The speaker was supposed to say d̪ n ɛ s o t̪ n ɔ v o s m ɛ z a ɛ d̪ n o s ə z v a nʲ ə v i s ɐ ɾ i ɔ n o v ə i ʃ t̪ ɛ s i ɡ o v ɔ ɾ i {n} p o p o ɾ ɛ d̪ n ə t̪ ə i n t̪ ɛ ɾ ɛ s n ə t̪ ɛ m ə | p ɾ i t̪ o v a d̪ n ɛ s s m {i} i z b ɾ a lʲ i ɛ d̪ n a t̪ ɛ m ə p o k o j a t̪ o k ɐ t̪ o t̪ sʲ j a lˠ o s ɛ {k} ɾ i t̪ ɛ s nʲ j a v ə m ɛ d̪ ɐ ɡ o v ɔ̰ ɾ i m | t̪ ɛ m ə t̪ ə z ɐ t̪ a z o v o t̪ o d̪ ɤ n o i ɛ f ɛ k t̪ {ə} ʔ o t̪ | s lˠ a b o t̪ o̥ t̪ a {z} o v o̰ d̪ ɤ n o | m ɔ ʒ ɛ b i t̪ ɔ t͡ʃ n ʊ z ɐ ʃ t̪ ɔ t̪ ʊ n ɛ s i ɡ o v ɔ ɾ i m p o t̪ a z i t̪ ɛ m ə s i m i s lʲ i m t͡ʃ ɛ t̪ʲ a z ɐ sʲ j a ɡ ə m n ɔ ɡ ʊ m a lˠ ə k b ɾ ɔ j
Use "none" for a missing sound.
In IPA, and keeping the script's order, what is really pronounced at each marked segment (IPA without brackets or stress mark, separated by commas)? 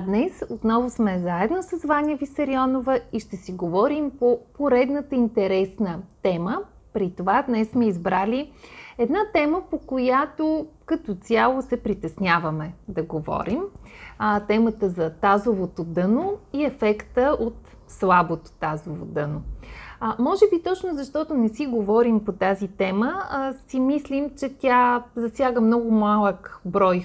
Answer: m, ɛ, p, ə, z